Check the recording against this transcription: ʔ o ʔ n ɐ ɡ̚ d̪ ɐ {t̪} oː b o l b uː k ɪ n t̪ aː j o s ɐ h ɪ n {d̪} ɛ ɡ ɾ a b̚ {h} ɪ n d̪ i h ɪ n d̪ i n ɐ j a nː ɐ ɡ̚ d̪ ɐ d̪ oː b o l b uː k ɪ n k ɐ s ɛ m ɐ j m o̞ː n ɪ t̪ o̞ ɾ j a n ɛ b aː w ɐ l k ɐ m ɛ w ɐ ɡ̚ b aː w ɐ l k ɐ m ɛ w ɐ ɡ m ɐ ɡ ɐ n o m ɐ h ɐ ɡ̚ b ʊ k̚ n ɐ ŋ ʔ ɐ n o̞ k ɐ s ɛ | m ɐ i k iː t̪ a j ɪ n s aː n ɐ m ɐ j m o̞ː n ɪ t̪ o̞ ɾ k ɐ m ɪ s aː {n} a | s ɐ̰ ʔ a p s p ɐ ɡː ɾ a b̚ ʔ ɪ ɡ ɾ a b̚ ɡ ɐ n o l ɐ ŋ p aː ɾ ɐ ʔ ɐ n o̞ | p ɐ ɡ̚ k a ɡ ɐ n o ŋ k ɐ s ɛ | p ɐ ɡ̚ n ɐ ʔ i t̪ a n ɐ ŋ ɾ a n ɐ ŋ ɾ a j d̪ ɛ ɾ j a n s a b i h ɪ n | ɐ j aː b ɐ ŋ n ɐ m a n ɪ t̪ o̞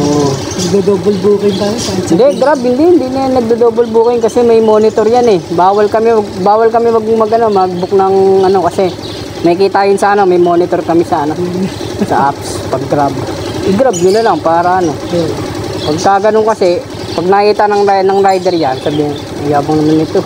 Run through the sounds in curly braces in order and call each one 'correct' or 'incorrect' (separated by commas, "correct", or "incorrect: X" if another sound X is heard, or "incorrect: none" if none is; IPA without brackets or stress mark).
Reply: incorrect: d̪, correct, correct, correct